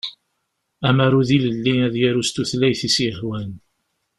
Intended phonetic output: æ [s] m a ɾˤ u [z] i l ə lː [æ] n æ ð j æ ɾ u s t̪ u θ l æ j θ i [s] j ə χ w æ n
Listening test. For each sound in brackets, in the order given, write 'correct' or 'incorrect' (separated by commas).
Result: incorrect, incorrect, incorrect, correct